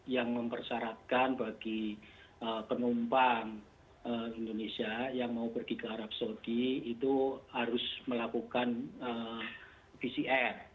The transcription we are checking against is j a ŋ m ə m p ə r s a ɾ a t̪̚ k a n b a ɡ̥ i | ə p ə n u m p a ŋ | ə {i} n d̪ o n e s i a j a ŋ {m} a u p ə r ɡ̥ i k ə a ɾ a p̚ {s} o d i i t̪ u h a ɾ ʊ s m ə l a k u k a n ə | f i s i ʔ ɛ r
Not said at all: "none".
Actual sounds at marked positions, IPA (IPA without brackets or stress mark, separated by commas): i, m, s